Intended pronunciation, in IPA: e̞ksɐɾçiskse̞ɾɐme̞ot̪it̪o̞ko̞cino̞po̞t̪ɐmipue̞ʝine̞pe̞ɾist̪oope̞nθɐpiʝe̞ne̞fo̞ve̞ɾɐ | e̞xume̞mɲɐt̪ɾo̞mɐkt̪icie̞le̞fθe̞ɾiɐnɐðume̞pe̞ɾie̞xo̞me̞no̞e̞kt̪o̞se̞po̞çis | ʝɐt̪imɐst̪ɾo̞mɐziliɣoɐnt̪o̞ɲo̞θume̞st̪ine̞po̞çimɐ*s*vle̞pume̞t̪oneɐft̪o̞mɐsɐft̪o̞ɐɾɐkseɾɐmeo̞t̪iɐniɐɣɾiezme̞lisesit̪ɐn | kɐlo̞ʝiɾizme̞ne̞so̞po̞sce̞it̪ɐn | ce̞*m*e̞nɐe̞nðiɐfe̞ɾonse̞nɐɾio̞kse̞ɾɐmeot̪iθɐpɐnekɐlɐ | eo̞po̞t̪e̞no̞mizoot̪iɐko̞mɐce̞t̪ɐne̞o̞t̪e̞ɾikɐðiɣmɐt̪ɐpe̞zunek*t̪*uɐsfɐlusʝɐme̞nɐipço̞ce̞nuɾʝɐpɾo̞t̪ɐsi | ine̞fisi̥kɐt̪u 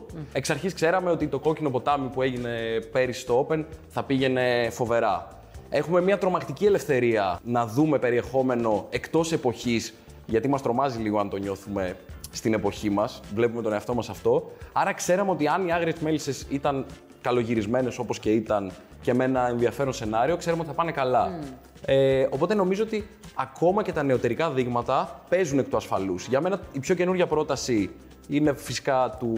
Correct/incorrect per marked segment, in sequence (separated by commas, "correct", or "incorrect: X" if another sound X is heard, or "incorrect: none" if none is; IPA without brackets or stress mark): correct, correct, correct